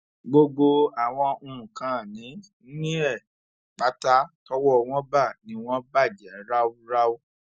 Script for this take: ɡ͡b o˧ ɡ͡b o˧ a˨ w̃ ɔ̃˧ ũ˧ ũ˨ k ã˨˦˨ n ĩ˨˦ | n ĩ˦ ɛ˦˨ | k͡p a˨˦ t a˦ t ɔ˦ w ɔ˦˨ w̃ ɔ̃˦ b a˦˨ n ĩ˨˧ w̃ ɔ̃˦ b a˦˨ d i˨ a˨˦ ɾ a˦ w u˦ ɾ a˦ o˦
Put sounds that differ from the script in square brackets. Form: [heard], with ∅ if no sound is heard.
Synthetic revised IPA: ɡ͡b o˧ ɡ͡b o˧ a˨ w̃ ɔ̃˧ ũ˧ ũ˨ k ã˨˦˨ n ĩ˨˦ | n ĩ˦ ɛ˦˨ | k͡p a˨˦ t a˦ t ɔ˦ w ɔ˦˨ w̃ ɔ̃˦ b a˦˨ n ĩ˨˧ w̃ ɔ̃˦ b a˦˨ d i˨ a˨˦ ɾ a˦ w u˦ ɾ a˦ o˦